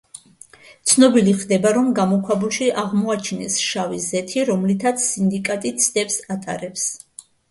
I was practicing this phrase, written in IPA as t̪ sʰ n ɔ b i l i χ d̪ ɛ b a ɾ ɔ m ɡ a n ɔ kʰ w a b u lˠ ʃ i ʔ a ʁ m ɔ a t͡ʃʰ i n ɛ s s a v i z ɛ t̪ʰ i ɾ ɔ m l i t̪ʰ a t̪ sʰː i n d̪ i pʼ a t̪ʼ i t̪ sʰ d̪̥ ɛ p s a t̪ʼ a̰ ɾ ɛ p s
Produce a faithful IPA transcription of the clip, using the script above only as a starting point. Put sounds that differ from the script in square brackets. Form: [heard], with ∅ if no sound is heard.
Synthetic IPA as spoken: t̪ sʰ n ɔ b i l i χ d̪ ɛ b a ɾ ɔ m ɡ a [m] ɔ kʰ w a b u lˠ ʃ i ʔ a ʁ m ɔ a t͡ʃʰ i n ɛ s [ʃ] a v i z ɛ t̪ʰ i ɾ ɔ m l i t̪ʰ a t̪ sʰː i n d̪ i [kʼ] a t̪ʼ i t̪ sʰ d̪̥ ɛ p s a t̪ʼ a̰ ɾ ɛ p s

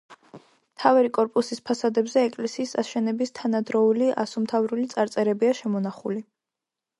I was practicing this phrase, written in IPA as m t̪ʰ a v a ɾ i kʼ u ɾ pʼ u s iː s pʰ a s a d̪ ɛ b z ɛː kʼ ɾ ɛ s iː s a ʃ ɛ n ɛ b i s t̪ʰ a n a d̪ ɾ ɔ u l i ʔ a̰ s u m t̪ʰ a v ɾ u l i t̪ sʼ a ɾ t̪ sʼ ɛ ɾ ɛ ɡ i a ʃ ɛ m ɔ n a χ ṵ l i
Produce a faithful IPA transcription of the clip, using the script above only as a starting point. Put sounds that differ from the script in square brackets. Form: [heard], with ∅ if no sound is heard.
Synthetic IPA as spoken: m t̪ʰ a v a ɾ i kʼ [ɔ] ɾ pʼ u s [i] s pʰ a s a d̪ ɛ b z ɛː kʼ [l] ɛ s iː s a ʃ ɛ n ɛ b i s t̪ʰ a n a d̪ ɾ ɔ u l i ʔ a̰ s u m t̪ʰ a v ɾ u l i t̪ sʼ a ɾ t̪ sʼ ɛ ɾ ɛ [b] i a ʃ ɛ m ɔ n a χ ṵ l i

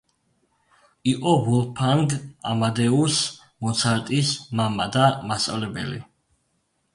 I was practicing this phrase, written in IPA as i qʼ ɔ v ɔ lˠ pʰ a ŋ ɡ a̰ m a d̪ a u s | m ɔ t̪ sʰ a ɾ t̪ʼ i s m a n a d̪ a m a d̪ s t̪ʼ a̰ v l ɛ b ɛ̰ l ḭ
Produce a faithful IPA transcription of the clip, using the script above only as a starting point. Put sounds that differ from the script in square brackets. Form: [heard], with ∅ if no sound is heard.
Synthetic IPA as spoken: i qʼ ɔ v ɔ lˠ pʰ a ŋ ɡ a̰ m a d̪ [ɛ] u s | m ɔ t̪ sʰ a ɾ t̪ʼ i s m a [m] a d̪ a m a [∅] s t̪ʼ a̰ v l ɛ b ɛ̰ l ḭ

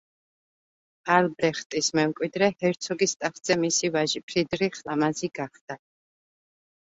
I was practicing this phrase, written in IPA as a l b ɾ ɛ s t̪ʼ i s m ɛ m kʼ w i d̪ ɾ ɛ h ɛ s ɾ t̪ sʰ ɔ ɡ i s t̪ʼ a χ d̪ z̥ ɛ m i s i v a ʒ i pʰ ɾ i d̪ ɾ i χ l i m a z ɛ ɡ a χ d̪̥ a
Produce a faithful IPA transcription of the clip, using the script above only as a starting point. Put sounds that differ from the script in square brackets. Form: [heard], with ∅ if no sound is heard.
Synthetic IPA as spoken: a l b ɾ ɛ [χ] t̪ʼ i s m ɛ m kʼ w i d̪ ɾ ɛ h ɛ [∅] ɾ t̪ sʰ ɔ ɡ i s t̪ʼ a χ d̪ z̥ ɛ m i s i v a ʒ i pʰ ɾ i d̪ ɾ i χ l [a] m a z [i] ɡ a χ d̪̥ a

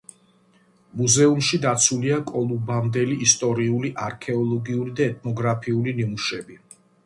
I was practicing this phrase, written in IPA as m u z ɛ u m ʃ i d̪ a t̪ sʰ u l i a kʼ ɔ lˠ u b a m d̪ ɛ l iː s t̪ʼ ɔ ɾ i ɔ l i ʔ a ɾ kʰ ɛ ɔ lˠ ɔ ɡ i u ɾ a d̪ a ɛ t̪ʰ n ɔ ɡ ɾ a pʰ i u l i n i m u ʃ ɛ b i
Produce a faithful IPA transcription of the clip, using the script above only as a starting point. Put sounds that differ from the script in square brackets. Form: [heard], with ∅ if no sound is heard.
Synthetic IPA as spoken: m u z ɛ u m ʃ i d̪ a t̪ sʰ u l i a kʼ ɔ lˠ u b a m d̪ ɛ l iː s t̪ʼ ɔ ɾ i [u] l i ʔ a ɾ kʰ ɛ ɔ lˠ ɔ ɡ i u ɾ [i] d̪ a ɛ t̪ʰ n ɔ ɡ ɾ a pʰ i u l i n i m u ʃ ɛ b i

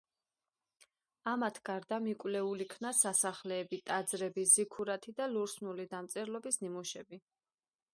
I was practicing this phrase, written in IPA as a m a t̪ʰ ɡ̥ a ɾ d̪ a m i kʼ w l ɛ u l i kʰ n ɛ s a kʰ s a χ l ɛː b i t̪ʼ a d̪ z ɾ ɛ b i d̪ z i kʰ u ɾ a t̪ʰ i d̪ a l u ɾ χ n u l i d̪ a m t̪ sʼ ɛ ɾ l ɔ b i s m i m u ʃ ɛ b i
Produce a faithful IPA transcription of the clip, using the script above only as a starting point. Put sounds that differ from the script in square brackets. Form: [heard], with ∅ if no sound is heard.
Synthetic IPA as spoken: a m a t̪ʰ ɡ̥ a ɾ d̪ a m i kʼ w l ɛ u l i kʰ n [a] s a [∅] s a χ l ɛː b i t̪ʼ a d̪ z ɾ ɛ b i [∅] z i kʰ u ɾ a t̪ʰ i d̪ a l u ɾ [s] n u l i d̪ a m t̪ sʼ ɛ ɾ l ɔ b i s [n] i m u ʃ ɛ b i

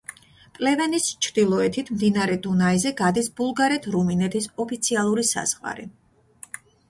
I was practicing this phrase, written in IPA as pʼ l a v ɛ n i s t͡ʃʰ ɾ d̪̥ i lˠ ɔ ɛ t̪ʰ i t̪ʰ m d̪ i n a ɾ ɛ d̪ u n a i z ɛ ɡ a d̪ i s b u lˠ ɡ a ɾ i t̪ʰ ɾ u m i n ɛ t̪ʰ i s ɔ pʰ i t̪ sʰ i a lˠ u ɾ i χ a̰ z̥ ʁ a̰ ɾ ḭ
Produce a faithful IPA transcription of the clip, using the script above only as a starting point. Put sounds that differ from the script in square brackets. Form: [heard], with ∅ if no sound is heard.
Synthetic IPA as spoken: pʼ l [ɛ] v ɛ n i s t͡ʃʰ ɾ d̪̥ i lˠ ɔ ɛ t̪ʰ i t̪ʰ m d̪ i n a ɾ ɛ d̪ u n a i z ɛ ɡ a d̪ i s b u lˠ ɡ a ɾ [ɛ] t̪ʰ ɾ u m i n ɛ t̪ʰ i s ɔ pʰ i t̪ sʰ i a lˠ u ɾ i [s] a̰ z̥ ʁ a̰ ɾ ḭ

